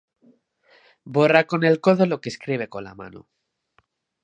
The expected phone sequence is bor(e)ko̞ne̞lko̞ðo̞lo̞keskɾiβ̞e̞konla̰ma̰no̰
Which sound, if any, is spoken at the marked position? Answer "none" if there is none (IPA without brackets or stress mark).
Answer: a